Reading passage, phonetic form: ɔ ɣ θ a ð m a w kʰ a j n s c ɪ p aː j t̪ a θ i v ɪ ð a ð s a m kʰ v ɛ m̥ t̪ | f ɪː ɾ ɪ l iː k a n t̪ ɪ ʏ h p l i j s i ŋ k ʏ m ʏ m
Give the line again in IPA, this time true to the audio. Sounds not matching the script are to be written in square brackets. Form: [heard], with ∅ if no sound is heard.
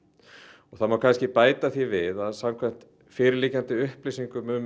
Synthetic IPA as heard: ɔ ɣ θ a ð m a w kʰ a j n s c ɪ p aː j t̪ a θ i v ɪ ð a ð s a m kʰ v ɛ m̥ t̪ | f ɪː ɾ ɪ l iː [c] a n t̪ ɪ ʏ h p l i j s i ŋ k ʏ m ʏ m